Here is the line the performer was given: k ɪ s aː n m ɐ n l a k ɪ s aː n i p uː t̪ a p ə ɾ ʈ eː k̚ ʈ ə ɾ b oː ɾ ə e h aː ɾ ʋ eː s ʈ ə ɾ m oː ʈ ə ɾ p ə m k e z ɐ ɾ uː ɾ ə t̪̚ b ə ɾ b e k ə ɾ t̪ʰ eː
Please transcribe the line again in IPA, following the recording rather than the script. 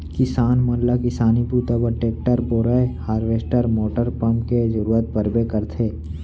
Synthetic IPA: k ɪ s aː n m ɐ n l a k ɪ s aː n i p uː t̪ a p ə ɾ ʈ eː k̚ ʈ ə ɾ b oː ɾ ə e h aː ɾ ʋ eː s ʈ ə ɾ m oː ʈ ə ɾ p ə m k e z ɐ ɾ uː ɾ ə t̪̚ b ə ɾ b e k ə ɾ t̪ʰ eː